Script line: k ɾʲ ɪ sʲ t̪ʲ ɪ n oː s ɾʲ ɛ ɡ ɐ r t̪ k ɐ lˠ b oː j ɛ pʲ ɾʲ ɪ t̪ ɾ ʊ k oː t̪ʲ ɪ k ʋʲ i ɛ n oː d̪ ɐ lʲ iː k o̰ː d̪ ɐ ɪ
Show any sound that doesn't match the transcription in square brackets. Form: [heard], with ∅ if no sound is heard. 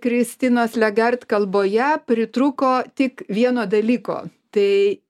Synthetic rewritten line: k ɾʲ ɪ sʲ t̪ʲ ɪ n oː s [lʲ] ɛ ɡ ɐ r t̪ k ɐ lˠ b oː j ɛ pʲ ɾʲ ɪ t̪ ɾ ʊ k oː t̪ʲ ɪ k ʋʲ i ɛ n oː d̪ ɐ lʲ iː k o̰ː [t̪] ɐ ɪ